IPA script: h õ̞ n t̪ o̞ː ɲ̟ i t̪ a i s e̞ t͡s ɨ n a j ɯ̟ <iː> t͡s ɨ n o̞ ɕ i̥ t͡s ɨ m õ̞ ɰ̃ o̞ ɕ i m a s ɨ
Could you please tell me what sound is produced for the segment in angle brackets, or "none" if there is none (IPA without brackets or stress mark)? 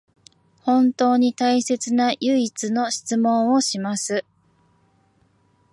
i